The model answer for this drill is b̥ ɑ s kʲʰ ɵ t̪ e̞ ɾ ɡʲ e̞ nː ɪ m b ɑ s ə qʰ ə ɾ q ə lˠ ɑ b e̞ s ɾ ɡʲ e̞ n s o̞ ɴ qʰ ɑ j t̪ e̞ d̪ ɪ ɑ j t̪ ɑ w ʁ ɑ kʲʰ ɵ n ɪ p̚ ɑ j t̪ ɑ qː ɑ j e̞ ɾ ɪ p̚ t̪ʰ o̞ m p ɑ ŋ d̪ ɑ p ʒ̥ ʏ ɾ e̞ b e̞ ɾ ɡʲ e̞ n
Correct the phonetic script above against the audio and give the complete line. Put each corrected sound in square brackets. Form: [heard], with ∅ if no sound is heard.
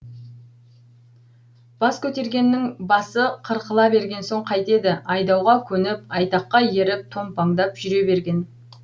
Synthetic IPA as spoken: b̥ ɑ s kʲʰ ɵ t̪ e̞ ɾ ɡʲ e̞ nː ɪ [ŋ] b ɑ s ə qʰ ə ɾ q ə lˠ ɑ b e̞ [∅] ɾ ɡʲ e̞ n s o̞ ɴ qʰ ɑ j t̪ e̞ d̪ ɪ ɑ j [d̪] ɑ w ʁ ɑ kʲʰ ɵ n ɪ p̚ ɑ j t̪ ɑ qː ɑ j e̞ ɾ ɪ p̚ t̪ʰ o̞ m p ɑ ŋ d̪ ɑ p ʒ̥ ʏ ɾ e̞ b e̞ ɾ ɡʲ e̞ n

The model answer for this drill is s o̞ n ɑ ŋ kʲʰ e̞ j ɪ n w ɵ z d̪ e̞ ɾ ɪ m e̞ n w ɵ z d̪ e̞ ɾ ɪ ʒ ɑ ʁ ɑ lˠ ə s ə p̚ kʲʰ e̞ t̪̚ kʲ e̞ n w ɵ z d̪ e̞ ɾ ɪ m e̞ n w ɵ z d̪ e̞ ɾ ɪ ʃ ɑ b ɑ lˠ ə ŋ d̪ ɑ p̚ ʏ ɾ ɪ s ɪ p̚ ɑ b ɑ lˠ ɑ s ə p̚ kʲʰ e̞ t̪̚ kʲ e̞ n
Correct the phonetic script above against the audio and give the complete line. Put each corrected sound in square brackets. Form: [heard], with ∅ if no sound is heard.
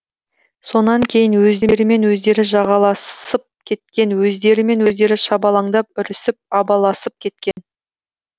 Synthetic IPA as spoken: s o̞ n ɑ ŋ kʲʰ e̞ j ɪ n w ɵ z d̪ e̞ ɾ ɪ m e̞ n w ɵ z d̪ e̞ ɾ ɪ ʒ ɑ ʁ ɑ lˠ [ɑ] s ə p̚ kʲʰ e̞ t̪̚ kʲ e̞ n w ɵ z d̪ e̞ ɾ ɪ m e̞ n w ɵ z d̪ e̞ ɾ ɪ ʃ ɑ b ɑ lˠ [ɑ] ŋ d̪ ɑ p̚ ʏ ɾ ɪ s ɪ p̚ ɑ b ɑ lˠ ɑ s ə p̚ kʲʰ e̞ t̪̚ kʲ e̞ n

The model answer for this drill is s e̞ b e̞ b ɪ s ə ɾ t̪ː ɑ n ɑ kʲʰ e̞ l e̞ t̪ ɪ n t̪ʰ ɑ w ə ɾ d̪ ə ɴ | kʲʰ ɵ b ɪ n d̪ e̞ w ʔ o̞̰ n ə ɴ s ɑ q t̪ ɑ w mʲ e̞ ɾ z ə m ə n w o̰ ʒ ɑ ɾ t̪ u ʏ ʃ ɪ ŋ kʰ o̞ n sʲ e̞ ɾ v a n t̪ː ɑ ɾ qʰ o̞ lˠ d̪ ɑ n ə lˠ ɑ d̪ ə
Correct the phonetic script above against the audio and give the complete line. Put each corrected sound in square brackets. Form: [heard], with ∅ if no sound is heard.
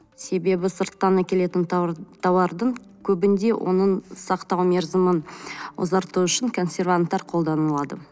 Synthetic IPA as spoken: s e̞ b e̞ b ɪ s ə ɾ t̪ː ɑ n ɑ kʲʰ e̞ l e̞ t̪ ɪ n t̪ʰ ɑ w [ɑ] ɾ d̪ ə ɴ | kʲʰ ɵ b ɪ n d̪ e̞ w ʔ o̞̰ n ə ɴ s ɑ q t̪ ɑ w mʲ e̞ ɾ z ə m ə n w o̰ [z] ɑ ɾ t̪ u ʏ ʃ ɪ ŋ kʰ o̞ n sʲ e̞ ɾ v a n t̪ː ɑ ɾ qʰ o̞ lˠ d̪ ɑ n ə lˠ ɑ d̪ ə

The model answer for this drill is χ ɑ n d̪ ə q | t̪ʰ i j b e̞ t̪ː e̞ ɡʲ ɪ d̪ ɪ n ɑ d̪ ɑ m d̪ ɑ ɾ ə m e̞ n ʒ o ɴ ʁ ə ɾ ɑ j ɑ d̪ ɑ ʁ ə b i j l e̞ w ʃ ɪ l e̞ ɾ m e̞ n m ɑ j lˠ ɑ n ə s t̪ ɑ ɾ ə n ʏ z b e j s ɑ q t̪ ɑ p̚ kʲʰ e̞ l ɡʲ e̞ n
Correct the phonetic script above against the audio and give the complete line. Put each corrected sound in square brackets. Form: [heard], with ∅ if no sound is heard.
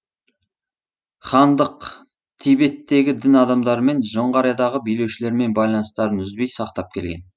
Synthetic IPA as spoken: χ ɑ n d̪ ə q | t̪ʰ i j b e̞ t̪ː e̞ ɡʲ ɪ d̪ ɪ n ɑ d̪ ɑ m d̪ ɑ ɾ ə m e̞ n ʒ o ɴ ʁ [ɑ] ɾ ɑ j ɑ d̪ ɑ ʁ ə b i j l e̞ w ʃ ɪ l e̞ ɾ m e̞ n [b] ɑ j lˠ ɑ n ə s t̪ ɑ ɾ ə n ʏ z b e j s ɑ q t̪ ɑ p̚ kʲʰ e̞ l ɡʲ e̞ n

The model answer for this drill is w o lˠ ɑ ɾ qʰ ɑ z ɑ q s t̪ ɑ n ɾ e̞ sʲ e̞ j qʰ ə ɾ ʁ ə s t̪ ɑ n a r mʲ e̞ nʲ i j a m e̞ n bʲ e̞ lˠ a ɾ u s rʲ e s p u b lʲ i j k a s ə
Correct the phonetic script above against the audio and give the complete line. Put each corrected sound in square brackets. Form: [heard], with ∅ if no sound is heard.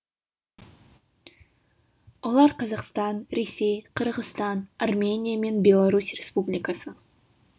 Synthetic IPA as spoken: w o lˠ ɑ ɾ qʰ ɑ z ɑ q s t̪ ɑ n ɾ e̞ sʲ e̞ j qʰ ə ɾ ʁ ə s t̪ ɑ n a r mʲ e̞ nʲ i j a m e̞ n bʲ e̞ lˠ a ɾ u s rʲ e s p u b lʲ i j k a s ə

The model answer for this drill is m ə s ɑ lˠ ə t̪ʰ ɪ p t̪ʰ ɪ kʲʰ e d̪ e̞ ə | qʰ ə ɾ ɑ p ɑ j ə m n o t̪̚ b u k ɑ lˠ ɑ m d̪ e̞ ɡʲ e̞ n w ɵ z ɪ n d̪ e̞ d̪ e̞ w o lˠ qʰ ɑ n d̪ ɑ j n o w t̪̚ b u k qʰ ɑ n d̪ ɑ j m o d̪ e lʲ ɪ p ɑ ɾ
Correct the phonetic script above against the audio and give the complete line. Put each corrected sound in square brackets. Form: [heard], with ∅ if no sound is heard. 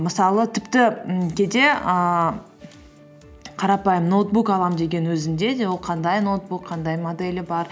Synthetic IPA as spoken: m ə s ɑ lˠ ə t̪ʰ ɪ p [t̪] ɪ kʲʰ e d̪ e̞ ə | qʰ [ɑ] ɾ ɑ p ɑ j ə m n o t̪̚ b u k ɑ lˠ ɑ m d̪ e̞ ɡʲ e̞ n w ɵ z ɪ n d̪ e̞ d̪ e̞ w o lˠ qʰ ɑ n d̪ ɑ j n o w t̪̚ b u k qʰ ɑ n d̪ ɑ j m o d̪ e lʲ ɪ [b] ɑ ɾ

